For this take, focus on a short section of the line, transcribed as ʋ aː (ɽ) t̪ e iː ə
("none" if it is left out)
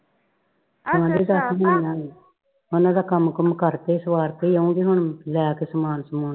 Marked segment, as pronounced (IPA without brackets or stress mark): ɾ